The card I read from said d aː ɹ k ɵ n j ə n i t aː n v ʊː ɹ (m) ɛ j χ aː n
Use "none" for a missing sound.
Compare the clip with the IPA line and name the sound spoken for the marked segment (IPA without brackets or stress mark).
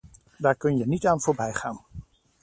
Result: b